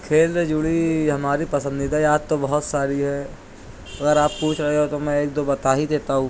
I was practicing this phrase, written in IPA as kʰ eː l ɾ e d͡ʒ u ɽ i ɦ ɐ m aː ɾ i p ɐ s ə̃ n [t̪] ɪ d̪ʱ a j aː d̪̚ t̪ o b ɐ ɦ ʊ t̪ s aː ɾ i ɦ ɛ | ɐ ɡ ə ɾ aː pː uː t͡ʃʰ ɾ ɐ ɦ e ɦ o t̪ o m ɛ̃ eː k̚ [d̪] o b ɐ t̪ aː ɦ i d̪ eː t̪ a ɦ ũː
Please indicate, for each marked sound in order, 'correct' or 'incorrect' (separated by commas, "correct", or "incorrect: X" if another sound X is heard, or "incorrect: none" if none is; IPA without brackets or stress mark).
incorrect: d̪, correct